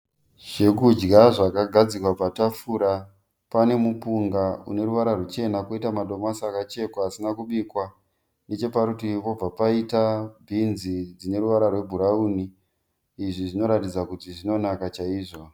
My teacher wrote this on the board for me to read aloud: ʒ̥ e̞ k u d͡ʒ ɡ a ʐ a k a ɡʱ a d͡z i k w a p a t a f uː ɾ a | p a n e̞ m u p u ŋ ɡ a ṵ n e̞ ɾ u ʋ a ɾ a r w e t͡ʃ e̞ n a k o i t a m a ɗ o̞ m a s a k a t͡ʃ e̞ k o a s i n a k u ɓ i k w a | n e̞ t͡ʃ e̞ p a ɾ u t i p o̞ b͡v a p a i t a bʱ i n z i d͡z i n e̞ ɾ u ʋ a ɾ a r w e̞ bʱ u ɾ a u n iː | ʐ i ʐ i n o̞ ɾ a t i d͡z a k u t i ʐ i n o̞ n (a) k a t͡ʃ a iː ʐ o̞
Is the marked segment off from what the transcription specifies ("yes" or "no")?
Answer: no